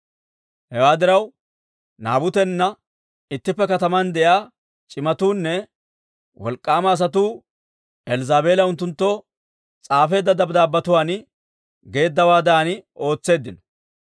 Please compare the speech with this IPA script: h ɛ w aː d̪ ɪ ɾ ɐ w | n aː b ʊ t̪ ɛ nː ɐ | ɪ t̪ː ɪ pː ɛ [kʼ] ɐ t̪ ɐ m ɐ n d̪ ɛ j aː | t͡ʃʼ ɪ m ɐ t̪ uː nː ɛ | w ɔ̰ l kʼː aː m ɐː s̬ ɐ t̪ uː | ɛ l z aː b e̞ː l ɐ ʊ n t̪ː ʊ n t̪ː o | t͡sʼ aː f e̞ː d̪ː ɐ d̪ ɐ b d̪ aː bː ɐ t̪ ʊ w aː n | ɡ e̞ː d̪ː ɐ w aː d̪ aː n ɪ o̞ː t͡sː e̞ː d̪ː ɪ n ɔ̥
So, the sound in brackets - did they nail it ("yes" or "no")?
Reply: no